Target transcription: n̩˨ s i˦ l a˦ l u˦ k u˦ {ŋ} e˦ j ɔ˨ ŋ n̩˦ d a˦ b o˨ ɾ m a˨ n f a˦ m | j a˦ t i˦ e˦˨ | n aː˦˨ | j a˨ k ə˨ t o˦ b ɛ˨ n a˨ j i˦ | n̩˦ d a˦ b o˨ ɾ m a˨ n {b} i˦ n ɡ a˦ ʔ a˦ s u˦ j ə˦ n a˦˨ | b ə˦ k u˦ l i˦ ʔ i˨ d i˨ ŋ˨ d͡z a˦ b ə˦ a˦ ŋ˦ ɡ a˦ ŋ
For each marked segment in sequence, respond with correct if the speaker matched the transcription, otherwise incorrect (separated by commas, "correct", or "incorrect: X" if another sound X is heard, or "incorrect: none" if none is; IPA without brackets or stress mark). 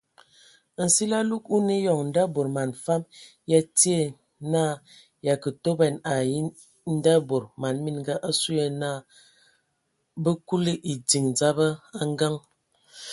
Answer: incorrect: n, incorrect: m